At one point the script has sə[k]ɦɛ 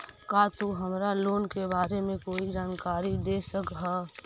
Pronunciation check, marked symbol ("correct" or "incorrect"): correct